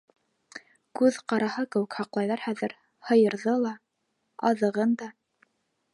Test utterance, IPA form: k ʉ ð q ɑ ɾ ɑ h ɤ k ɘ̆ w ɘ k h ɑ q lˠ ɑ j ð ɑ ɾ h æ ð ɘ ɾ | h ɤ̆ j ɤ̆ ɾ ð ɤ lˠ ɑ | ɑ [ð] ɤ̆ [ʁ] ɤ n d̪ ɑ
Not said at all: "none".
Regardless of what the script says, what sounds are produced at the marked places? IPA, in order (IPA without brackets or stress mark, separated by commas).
ð, ʁ